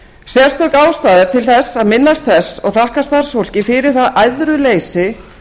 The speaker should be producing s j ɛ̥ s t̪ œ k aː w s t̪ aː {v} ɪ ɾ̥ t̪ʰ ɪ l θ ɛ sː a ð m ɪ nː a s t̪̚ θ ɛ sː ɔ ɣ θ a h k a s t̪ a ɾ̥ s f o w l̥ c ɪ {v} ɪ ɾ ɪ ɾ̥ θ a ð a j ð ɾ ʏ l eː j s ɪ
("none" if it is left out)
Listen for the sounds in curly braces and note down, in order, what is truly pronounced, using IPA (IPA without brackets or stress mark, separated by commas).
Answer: ð, f